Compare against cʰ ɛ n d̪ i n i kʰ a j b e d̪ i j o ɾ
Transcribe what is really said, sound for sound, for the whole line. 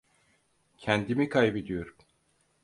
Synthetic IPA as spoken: cʰ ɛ n d̪ i m i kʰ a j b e d̪ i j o ɾ